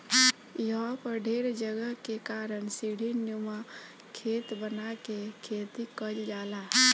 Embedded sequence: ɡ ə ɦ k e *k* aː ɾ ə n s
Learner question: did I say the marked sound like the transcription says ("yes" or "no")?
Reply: yes